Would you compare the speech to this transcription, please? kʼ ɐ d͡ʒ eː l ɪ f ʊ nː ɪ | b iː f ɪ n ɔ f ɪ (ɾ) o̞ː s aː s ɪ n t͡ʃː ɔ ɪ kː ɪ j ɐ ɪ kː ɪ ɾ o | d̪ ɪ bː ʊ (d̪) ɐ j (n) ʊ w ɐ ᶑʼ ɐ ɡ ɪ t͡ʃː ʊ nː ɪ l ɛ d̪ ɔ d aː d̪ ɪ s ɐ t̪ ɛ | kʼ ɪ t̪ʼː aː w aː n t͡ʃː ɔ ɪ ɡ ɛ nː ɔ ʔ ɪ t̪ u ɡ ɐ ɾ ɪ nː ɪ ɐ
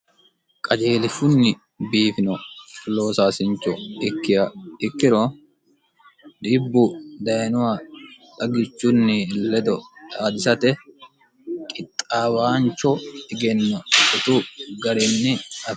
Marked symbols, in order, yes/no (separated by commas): no, yes, yes